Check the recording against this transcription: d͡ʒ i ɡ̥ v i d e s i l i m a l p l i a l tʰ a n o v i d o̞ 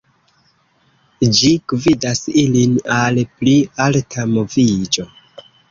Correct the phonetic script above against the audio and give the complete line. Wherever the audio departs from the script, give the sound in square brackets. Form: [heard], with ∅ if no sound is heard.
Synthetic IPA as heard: d͡ʒ i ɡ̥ v i d [a] s i l i [n] a l p l i a l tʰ a [m] o v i [d͡ʒ] o̞